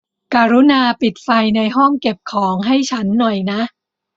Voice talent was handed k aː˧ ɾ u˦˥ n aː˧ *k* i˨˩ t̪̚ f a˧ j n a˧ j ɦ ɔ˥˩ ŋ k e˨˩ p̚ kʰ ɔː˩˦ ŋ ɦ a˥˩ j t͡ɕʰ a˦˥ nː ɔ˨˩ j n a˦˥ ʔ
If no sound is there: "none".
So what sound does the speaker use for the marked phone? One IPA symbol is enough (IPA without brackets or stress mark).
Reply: p